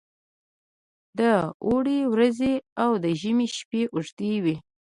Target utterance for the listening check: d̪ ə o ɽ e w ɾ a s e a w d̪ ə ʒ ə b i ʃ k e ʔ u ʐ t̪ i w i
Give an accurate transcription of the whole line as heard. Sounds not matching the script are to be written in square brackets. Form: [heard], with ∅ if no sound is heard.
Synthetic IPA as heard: d̪ ə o ɽ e w ɾ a [z] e a w d̪ ə ʒ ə [m] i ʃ [p] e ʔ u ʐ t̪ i w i